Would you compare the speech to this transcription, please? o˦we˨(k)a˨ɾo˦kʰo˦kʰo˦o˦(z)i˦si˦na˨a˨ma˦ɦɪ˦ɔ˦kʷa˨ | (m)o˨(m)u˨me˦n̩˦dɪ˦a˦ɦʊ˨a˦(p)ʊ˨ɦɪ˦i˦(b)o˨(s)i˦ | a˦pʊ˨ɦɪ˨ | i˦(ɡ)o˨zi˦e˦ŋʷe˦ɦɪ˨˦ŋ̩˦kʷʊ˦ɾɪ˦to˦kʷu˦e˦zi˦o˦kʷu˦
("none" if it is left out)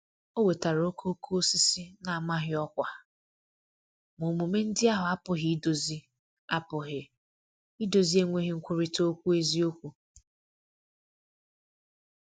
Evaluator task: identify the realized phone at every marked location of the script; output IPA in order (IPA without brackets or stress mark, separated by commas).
t, s, m, m, p, d, z, d